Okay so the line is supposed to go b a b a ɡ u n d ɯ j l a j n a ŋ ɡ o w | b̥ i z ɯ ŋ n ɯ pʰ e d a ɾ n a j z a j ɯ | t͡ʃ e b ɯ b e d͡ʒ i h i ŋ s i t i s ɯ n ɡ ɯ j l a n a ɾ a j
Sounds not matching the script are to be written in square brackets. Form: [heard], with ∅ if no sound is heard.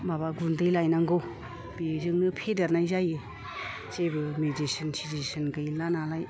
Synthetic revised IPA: b a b a ɡ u n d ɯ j l a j n a ŋ ɡ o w | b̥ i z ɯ ŋ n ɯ pʰ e d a ɾ n a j z a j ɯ | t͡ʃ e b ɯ [m] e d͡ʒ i [s] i [n] s i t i s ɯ n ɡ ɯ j l a n a [l] a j

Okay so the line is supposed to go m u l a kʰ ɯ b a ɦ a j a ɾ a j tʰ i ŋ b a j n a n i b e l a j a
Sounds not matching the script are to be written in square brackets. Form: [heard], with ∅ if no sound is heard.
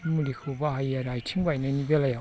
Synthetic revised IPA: m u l [i] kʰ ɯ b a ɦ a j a ɾ a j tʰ i ŋ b a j n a n i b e l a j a

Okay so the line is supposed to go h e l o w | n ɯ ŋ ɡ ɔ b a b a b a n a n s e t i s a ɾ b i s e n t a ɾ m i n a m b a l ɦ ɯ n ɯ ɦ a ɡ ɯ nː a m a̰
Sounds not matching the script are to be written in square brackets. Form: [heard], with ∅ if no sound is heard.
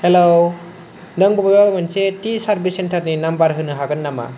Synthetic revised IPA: h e l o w | n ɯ ŋ [b] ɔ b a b a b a [m] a n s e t i s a ɾ b i s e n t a ɾ [n] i n a m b a [ɾ] ɦ ɯ n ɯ ɦ a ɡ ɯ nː a m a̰

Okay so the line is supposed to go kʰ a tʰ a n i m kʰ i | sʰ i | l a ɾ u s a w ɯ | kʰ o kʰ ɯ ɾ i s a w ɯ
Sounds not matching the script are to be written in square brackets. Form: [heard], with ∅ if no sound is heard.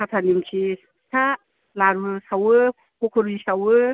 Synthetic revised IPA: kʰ a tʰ a n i m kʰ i | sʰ [a] | l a ɾ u s a w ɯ | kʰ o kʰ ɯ ɾ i s a w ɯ

